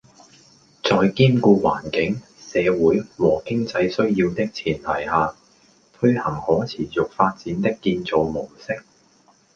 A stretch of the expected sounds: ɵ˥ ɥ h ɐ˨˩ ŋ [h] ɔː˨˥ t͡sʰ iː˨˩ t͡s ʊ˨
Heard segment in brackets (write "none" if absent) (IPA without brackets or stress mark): h